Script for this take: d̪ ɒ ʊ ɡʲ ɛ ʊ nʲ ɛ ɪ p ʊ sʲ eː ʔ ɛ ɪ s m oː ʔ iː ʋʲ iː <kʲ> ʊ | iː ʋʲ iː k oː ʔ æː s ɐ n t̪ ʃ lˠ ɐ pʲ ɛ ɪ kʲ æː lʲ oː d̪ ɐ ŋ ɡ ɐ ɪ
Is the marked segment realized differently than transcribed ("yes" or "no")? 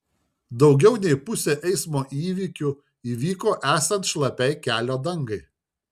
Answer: no